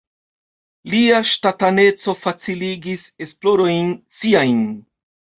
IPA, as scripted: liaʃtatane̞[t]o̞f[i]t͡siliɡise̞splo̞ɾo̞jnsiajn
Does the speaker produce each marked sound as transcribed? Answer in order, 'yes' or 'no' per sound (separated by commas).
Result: no, no